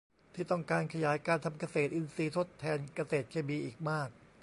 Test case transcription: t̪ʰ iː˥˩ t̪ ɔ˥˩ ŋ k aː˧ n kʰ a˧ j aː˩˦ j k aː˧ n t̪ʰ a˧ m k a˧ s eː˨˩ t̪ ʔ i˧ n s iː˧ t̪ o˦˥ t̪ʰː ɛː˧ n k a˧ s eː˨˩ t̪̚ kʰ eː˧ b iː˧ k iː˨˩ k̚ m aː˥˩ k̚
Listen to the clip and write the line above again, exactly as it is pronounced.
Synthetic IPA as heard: t̪ʰ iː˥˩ t̪ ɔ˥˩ ŋ k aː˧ n kʰ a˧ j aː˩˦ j k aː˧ n t̪ʰ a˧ m k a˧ s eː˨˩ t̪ ʔ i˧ n s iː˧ t̪ʰ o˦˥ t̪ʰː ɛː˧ n k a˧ s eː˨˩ t̪̚ kʰ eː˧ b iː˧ ʔ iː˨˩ k̚ m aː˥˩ k̚